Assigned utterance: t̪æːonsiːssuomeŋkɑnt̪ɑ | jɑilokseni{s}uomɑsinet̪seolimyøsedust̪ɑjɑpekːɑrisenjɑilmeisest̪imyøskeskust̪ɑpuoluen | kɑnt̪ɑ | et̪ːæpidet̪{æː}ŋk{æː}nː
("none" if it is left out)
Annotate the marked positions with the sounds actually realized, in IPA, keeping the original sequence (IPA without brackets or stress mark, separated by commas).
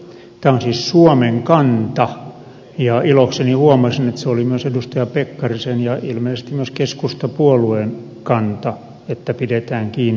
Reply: h, æː, iː